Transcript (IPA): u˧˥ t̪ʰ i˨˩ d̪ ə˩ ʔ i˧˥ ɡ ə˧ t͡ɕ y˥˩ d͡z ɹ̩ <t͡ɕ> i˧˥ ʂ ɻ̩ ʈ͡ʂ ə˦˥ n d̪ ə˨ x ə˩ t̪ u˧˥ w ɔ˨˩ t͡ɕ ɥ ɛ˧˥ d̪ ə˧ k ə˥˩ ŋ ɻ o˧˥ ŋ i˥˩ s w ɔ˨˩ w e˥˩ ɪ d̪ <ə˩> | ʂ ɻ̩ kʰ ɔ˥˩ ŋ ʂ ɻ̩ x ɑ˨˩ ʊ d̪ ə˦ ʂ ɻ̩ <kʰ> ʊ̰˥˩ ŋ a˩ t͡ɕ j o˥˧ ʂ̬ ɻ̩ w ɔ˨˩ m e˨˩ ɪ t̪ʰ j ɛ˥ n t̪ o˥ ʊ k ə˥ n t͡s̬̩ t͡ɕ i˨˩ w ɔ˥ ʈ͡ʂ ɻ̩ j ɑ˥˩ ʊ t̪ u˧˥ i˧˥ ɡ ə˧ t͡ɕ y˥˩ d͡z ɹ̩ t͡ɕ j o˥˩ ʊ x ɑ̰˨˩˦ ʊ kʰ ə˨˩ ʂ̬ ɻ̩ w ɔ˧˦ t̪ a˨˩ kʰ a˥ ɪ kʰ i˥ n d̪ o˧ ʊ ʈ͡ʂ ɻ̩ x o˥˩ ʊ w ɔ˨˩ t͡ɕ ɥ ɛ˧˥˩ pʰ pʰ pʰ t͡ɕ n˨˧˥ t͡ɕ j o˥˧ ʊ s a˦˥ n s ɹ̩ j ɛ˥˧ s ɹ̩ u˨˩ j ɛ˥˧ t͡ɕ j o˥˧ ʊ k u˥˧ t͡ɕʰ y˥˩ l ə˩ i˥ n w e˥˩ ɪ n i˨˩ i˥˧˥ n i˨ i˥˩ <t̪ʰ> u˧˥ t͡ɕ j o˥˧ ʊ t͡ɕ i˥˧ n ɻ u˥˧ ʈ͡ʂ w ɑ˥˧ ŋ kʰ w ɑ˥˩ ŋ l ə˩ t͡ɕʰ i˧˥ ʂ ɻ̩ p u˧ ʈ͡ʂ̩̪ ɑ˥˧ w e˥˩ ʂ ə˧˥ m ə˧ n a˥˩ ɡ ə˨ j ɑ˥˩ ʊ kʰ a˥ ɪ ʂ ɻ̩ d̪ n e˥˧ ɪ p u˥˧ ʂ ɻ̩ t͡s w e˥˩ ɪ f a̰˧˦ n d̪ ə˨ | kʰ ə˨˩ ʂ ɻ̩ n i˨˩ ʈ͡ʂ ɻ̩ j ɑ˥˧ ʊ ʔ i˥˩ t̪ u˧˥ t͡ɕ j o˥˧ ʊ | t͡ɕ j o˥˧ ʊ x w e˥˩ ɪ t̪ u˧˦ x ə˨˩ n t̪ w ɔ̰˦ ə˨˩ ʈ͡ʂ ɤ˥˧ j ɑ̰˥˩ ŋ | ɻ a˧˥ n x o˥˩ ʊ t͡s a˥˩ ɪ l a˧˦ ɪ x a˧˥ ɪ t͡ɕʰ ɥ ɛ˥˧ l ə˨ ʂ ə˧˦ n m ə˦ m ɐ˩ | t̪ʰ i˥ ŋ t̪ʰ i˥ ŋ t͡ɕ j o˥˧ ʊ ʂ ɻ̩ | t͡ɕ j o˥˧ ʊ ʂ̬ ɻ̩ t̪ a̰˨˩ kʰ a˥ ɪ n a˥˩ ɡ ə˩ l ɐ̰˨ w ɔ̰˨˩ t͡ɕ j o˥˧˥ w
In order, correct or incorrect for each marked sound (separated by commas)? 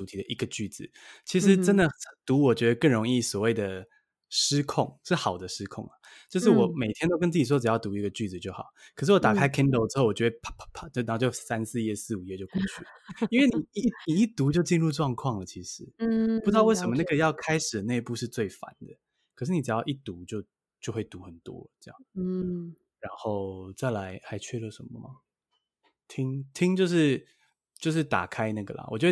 incorrect, correct, correct, incorrect